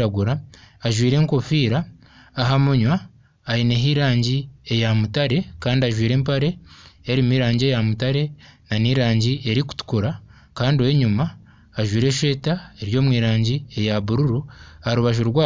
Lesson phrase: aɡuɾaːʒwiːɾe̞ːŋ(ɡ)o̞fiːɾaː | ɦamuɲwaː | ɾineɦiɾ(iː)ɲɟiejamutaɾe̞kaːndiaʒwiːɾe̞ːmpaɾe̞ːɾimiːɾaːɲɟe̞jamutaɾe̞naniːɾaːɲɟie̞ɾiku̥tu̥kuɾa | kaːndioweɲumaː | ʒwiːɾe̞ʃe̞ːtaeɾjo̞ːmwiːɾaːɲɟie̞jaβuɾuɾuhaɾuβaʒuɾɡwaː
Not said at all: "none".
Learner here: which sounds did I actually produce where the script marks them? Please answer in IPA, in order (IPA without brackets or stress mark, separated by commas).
k, aː